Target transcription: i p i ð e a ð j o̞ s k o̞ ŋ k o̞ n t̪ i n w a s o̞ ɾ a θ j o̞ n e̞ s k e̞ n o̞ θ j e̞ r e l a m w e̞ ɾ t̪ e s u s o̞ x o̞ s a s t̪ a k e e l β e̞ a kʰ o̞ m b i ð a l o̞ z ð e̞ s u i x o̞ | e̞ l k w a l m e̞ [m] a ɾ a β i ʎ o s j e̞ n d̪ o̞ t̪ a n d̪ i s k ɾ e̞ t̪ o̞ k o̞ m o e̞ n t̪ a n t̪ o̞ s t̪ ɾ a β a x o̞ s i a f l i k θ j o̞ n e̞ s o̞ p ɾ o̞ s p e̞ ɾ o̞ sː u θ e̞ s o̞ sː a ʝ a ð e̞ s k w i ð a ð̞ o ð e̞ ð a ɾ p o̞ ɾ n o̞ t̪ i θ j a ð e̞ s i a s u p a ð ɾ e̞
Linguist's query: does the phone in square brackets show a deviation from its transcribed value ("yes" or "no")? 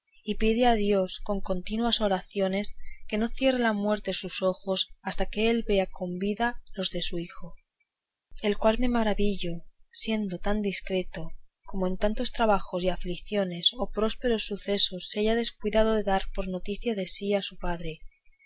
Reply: no